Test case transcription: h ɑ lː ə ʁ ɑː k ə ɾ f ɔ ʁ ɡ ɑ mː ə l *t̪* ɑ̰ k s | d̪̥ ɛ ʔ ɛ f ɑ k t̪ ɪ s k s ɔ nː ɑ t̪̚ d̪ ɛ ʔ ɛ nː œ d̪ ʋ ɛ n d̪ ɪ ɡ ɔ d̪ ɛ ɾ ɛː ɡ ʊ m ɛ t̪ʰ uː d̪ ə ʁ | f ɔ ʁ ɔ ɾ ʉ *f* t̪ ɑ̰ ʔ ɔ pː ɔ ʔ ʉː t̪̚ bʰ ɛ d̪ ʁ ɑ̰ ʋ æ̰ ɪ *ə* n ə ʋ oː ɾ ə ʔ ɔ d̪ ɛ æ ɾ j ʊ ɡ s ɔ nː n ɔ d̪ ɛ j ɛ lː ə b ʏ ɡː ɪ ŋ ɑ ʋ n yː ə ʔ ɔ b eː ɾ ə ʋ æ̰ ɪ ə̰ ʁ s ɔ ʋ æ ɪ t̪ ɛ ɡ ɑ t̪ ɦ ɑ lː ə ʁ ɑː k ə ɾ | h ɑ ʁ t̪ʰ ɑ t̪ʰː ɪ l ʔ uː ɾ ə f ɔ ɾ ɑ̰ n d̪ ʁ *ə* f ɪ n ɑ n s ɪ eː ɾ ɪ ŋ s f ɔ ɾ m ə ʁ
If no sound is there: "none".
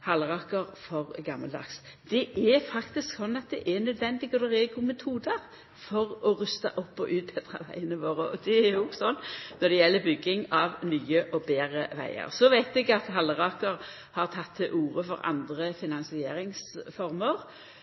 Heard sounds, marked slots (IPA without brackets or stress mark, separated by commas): d̪, s, ə, ə